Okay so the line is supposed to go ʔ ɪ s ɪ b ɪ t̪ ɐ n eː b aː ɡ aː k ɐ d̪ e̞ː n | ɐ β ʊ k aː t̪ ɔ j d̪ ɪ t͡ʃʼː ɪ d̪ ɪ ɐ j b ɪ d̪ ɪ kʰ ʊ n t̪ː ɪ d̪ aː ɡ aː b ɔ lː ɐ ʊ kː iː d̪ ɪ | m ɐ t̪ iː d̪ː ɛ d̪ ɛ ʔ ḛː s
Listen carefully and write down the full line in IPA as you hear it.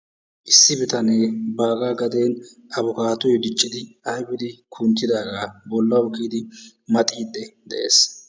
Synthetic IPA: ʔ ɪ sː ɪ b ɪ t̪ ɐ n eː b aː ɡ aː ɡ ɐ d̪ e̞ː n | ɐ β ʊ k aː t̪ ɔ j d̪ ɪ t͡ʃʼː ɪ d̪ ɪ ɐ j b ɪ d̪ ɪ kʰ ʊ n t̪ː ɪ d̪ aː ɡ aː b ɔ lː ɐ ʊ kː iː d̪ ɪ | m ɐ t̪ʼ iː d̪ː ɛ d̪ ɛ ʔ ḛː s

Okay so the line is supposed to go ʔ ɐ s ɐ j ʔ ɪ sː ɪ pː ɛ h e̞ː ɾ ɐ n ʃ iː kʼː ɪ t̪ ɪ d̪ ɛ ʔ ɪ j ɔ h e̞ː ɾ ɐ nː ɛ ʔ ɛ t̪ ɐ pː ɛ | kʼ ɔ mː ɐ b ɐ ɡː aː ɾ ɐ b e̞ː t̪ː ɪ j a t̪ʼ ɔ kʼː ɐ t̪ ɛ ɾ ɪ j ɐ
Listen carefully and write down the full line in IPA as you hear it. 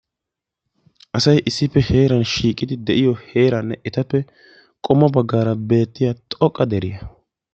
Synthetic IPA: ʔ ɐ s ɐ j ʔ ɪ sː ɪ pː ɛ h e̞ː ɾ ɐ n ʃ iː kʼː ɪ d̪ ɪ d̪ ɛ ʔ ɪ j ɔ h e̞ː ɾ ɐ nː ɛ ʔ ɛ t̪ ɐ pː ɛ | kʼ ɔ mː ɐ b ɐ ɡː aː ɾ ɐ b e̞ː t̪ː ɪ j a t̪ʼ ɔ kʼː ɐ d̪ ɛ ɾ ɪ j ɐ

